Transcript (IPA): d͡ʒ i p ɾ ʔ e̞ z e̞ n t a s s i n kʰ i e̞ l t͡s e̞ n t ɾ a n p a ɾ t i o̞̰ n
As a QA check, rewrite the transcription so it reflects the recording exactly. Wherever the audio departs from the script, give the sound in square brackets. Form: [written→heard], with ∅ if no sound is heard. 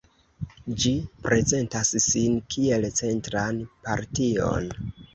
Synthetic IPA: d͡ʒ i p ɾ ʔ e̞ z e̞ n t a s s i n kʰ i e̞ l t͡s e̞ n t ɾ a n p a ɾ t i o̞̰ n